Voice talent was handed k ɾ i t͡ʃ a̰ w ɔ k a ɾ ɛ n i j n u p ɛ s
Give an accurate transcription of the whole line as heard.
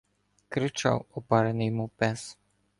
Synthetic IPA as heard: k ɾ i t͡ʃ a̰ w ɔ p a ɾ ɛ n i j m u p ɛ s